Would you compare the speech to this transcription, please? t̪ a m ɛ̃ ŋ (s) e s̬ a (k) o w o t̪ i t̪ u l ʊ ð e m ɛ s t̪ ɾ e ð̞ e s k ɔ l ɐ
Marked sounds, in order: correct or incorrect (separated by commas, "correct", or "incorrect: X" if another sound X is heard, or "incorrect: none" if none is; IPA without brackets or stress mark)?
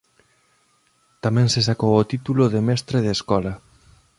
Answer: correct, correct